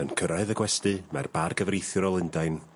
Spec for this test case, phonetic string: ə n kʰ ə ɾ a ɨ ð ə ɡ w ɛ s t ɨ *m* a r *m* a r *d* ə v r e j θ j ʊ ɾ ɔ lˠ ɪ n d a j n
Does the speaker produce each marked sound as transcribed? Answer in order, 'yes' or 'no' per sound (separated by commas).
yes, no, no